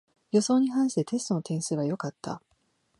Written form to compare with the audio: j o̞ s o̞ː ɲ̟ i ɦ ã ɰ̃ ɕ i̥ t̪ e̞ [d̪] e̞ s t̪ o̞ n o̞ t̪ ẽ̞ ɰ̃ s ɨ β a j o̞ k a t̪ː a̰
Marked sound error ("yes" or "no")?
yes